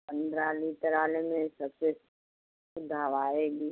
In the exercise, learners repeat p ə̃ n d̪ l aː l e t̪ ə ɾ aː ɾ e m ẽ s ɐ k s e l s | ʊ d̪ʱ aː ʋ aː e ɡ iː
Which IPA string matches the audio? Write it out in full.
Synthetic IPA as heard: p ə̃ n d̪ ɾ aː l i t̪ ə ɾ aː l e m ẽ s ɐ k s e s | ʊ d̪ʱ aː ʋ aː e ɡ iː